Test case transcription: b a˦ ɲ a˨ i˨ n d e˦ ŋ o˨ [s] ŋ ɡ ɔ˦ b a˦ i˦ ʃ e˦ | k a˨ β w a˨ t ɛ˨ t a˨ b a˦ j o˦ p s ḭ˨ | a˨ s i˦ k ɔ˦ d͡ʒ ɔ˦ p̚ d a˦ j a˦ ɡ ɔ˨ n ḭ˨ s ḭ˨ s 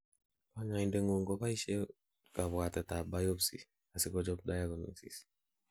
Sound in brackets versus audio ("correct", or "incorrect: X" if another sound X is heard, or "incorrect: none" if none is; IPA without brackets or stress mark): incorrect: none